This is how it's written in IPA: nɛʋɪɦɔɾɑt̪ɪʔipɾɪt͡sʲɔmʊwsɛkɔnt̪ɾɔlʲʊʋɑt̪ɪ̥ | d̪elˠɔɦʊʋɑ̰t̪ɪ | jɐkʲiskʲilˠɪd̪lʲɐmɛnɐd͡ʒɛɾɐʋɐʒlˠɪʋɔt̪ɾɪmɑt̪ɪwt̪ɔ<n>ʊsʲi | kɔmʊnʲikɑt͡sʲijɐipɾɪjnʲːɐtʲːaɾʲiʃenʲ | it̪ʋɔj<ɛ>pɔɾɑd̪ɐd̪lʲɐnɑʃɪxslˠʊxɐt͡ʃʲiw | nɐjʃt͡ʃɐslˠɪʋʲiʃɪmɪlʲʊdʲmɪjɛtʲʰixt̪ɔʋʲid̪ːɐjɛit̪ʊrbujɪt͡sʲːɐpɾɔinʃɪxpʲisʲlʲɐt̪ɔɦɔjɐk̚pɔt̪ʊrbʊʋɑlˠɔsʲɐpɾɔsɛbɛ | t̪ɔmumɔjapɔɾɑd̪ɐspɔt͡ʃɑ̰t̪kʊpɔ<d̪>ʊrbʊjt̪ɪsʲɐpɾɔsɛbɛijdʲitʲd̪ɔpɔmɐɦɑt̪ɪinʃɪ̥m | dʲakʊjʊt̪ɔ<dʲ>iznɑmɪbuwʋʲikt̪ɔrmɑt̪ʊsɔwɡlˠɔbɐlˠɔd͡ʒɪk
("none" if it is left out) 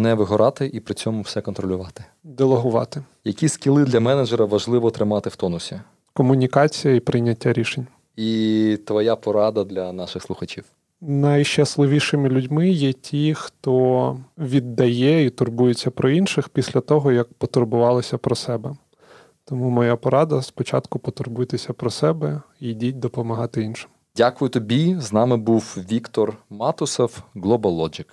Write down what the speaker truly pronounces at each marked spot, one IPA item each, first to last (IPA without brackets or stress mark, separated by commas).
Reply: n, a, t̪, bʲ